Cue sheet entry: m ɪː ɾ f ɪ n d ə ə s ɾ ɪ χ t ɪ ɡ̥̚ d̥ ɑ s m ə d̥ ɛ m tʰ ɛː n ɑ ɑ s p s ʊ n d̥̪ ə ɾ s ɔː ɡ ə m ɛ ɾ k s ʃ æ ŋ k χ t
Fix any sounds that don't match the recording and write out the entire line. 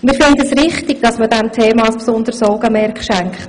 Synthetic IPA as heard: m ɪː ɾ f ɪ n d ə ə s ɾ ɪ χ t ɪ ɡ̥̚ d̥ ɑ s m ə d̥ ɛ m tʰ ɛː m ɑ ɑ s p s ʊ n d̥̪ ə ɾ s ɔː ɡ ə m ɛ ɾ k χ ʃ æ ŋ k χ t